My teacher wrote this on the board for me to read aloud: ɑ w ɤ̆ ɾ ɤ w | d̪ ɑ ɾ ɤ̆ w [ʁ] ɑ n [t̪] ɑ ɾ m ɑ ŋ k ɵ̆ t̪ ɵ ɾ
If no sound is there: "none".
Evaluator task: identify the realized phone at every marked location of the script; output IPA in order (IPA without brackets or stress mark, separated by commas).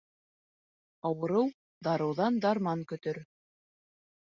ð, d̪